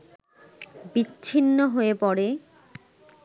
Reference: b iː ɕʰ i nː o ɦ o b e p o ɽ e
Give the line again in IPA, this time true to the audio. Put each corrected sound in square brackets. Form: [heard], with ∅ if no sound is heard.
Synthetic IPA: b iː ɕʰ i nː o ɦ o [∅] e p [ɔ] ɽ e